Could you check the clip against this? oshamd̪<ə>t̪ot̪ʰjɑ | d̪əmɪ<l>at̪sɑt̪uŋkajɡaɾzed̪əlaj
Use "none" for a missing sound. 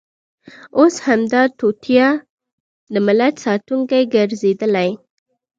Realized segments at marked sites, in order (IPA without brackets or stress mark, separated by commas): ɑ, l